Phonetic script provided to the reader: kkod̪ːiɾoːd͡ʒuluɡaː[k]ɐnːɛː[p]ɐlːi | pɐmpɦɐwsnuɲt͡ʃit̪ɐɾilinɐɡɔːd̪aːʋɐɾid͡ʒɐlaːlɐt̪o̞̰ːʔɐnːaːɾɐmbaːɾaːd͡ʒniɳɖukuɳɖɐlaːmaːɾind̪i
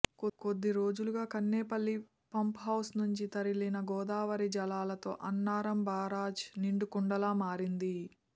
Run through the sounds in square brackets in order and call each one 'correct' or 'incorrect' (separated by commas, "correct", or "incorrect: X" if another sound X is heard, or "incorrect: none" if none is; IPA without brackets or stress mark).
correct, correct